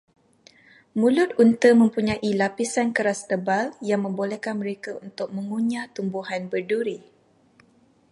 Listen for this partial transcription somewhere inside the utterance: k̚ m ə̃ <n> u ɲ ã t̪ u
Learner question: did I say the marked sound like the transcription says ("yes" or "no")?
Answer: no